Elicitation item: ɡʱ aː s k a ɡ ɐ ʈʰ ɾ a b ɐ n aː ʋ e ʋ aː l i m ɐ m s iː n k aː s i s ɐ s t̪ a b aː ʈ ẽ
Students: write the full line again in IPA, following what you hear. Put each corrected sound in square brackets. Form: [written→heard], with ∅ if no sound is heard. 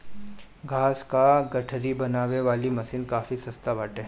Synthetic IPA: ɡʱ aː s k a ɡ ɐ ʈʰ ɾ [a→i] b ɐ n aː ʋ e ʋ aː l i m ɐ [m→∅] s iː n k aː [s→f] i s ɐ s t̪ a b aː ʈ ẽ